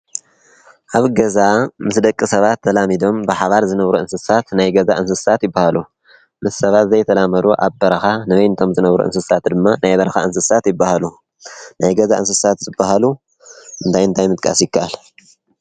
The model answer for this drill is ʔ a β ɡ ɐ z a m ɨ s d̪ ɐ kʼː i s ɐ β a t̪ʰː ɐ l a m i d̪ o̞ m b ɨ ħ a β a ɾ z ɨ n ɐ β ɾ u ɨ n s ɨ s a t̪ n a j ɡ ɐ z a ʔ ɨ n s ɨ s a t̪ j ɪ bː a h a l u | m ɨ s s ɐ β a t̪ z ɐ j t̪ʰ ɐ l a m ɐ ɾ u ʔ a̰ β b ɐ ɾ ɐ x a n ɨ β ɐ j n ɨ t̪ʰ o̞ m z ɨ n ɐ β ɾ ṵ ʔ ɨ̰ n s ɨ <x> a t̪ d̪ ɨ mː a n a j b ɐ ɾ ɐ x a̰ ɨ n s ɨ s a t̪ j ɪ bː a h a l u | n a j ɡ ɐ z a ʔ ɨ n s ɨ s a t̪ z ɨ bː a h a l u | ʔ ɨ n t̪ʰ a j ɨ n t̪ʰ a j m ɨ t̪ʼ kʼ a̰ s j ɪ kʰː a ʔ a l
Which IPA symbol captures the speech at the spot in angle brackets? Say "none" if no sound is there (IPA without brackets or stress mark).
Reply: s